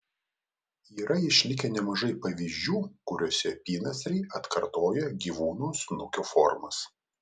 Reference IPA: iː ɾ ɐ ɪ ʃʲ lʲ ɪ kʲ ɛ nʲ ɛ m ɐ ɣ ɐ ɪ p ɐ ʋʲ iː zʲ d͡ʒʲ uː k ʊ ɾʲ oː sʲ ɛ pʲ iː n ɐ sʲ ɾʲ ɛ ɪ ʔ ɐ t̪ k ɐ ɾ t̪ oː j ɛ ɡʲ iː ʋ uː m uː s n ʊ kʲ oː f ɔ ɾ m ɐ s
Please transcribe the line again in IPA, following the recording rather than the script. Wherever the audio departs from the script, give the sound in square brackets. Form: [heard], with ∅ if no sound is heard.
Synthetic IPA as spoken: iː ɾ ɐ ɪ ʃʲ lʲ ɪ kʲ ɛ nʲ ɛ m ɐ [ʒ] ɐ ɪ p ɐ ʋʲ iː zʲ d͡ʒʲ uː k ʊ ɾʲ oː sʲ ɛ pʲ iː n ɐ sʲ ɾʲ ɛ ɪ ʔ ɐ t̪ k ɐ ɾ t̪ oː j ɛ ɡʲ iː ʋ uː [n] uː s n ʊ kʲ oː f ɔ ɾ m ɐ s